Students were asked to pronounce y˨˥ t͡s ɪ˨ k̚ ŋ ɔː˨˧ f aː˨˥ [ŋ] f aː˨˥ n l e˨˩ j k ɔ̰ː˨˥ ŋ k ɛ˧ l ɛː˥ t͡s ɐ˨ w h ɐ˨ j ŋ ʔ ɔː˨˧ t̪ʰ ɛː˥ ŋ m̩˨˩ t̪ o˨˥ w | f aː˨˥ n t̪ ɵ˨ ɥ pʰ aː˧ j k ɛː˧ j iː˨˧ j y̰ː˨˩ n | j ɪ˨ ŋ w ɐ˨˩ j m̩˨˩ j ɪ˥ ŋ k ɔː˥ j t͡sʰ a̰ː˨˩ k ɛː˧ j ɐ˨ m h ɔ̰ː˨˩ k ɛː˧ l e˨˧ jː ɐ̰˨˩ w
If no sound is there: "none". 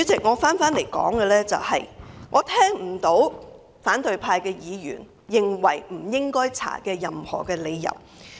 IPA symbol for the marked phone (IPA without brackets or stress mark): n